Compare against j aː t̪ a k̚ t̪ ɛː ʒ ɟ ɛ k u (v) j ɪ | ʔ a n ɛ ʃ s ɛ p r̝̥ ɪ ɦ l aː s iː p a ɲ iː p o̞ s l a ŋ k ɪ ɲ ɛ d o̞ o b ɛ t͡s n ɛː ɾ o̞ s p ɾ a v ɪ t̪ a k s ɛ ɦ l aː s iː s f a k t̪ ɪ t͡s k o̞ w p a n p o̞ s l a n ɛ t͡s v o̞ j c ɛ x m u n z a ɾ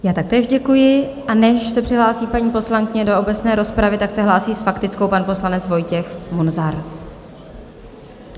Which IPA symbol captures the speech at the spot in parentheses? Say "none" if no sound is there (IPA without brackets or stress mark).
none